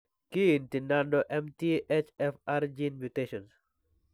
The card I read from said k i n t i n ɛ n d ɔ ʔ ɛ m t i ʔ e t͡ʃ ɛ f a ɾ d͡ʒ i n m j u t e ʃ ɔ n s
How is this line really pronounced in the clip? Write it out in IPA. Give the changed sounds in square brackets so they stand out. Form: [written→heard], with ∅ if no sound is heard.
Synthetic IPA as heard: k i n t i n [ɛ→a] n d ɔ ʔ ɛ m t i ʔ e t͡ʃ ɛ f a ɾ d͡ʒ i n m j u t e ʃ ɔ n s